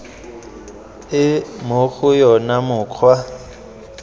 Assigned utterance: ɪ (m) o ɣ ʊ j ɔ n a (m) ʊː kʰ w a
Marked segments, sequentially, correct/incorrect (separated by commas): correct, correct